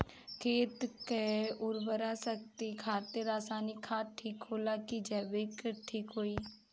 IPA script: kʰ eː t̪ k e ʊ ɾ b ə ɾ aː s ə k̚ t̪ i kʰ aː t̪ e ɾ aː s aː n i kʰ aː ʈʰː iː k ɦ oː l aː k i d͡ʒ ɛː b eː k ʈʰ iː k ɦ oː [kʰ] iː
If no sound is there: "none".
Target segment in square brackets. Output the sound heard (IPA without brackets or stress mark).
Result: none